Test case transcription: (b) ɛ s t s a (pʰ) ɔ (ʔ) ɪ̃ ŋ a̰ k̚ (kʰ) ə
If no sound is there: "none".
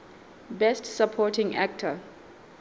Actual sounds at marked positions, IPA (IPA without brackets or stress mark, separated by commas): b, pʰ, t, tʰ